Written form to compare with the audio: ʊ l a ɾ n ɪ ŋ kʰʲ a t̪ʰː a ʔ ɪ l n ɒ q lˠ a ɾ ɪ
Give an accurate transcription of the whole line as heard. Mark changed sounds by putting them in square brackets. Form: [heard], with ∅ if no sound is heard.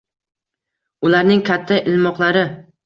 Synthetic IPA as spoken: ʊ l a ɾ n ɪ ŋ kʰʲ a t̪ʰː a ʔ ɪ l [m] ɒ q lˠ a ɾ ɪ